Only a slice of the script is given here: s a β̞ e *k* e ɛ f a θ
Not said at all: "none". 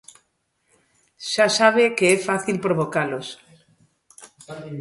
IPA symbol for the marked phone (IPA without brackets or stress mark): k